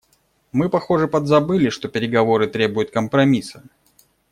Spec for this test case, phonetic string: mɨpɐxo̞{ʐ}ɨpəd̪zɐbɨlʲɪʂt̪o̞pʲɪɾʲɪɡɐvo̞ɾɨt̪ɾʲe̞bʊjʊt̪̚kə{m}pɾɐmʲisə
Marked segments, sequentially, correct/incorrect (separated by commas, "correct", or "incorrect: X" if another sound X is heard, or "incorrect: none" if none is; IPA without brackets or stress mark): correct, correct